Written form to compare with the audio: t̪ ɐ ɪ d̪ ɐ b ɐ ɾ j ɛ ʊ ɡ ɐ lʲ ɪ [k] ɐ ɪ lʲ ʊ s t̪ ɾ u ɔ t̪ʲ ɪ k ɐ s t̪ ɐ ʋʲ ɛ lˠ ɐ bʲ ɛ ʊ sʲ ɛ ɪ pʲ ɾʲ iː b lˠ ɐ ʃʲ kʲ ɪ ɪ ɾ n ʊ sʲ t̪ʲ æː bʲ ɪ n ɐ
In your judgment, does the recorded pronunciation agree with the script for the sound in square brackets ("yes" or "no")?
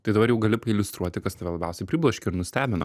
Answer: no